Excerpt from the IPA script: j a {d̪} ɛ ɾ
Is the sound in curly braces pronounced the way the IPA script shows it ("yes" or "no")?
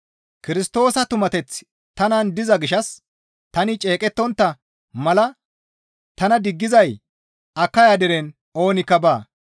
yes